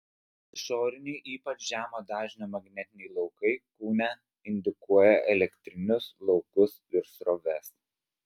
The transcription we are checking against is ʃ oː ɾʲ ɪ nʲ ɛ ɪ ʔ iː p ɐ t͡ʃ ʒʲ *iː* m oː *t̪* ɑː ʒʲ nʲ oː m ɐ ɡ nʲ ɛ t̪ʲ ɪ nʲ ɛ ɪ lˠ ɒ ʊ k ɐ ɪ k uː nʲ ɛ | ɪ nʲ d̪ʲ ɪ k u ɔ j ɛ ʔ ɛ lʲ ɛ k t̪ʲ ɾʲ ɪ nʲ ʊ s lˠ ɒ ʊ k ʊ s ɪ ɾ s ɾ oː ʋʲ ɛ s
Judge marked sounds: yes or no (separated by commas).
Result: no, no